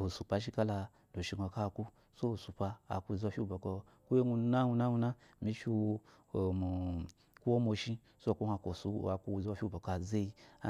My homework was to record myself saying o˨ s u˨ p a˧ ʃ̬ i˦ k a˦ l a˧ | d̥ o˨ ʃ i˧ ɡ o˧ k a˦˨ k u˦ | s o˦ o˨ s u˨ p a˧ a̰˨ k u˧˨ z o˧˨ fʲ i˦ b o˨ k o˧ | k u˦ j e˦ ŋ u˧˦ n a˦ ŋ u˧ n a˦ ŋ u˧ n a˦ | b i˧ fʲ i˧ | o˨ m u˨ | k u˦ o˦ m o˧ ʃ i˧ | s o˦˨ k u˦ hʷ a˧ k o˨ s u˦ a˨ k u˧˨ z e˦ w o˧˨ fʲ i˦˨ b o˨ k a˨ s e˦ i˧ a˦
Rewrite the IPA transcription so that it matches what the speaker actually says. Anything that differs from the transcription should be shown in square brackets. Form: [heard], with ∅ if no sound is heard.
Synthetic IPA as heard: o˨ s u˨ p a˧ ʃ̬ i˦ k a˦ l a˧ | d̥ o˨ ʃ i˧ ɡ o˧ k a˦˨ k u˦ | s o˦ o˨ s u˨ p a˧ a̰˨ k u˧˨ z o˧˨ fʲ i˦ b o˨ k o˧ | k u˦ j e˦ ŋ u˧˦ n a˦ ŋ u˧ n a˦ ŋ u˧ n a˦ | [m] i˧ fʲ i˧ | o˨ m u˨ | k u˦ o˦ m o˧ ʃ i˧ | s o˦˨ k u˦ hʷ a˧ k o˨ s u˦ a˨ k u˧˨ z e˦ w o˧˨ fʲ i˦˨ b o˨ k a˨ [z] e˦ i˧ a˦